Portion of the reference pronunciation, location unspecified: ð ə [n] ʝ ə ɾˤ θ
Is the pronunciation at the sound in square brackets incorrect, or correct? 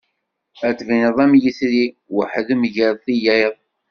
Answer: incorrect